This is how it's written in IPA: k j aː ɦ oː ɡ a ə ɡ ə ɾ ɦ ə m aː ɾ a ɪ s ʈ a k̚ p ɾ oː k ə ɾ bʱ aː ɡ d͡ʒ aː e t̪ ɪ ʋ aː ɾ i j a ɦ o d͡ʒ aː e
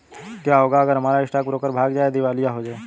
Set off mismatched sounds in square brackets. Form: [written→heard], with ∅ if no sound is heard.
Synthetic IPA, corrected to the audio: k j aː ɦ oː ɡ a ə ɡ ə ɾ ɦ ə m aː ɾ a ɪ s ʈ a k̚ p ɾ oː k ə ɾ bʱ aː ɡ d͡ʒ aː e [t̪→d̪] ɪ ʋ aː [ɾ→l] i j a ɦ o d͡ʒ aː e